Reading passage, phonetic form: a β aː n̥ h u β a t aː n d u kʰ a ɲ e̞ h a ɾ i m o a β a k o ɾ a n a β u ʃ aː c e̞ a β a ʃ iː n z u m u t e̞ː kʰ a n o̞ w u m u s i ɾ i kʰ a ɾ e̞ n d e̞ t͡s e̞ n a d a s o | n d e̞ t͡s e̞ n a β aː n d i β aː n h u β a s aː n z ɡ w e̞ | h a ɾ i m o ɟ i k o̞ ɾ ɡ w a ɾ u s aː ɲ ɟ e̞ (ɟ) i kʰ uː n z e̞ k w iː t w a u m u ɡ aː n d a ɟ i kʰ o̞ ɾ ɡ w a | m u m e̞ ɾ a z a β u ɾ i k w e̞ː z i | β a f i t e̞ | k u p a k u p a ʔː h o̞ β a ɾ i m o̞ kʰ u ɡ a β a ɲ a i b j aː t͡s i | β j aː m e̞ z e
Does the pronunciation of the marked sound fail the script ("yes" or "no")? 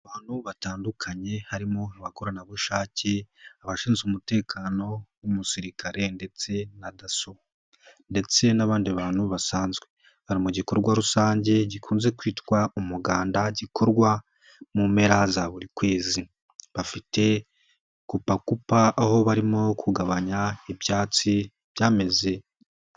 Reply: no